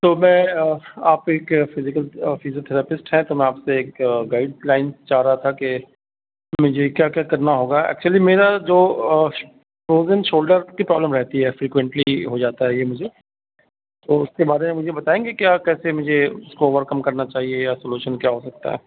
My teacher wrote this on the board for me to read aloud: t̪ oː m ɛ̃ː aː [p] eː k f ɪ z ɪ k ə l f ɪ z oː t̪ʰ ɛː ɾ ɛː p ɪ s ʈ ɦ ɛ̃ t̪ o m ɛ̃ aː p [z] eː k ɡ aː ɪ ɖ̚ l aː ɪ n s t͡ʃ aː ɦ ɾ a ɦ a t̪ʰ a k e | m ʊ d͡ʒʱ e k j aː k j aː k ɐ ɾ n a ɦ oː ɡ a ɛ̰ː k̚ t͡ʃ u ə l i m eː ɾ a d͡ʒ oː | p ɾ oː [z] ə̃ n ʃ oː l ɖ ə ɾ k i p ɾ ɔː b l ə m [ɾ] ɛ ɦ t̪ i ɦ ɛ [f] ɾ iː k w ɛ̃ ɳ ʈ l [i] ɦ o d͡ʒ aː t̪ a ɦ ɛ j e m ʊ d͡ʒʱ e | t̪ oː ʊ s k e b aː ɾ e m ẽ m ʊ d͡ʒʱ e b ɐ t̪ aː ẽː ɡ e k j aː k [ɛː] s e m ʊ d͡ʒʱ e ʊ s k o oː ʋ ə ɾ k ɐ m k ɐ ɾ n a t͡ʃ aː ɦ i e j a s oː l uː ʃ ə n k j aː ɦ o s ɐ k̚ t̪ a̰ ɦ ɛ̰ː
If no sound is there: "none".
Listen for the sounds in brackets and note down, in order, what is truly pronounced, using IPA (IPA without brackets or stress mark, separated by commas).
p, s, z, ɾ, f, i, ɛː